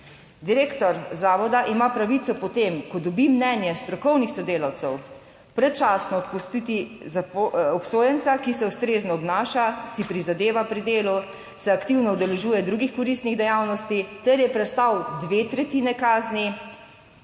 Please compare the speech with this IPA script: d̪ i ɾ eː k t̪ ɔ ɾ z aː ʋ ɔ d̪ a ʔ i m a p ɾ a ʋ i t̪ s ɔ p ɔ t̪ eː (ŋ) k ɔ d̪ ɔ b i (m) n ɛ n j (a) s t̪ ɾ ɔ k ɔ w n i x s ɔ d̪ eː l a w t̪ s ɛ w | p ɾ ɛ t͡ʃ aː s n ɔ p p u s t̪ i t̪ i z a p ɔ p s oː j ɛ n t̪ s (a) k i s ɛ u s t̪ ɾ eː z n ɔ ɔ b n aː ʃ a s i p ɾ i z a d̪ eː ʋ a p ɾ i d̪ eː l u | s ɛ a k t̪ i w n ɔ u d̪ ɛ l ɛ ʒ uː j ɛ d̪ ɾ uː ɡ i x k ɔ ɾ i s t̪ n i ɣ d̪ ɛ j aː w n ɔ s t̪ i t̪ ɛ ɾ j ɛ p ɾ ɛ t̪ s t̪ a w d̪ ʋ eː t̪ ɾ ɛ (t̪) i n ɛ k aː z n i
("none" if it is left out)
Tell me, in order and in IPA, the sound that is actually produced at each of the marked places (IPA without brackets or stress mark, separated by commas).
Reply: m, m, ɛ, a, t̪